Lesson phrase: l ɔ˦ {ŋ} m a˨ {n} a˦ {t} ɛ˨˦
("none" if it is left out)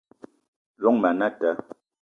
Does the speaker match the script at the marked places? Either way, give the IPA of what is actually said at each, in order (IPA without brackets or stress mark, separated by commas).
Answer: ŋ, n, t